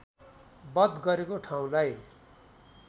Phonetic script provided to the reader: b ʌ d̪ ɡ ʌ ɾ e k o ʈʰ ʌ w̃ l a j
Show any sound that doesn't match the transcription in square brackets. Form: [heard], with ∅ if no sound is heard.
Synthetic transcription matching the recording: b ʌ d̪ ɡ ʌ ɾ e k o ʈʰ [a] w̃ l a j